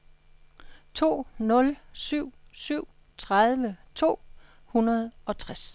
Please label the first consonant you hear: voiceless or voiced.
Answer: voiceless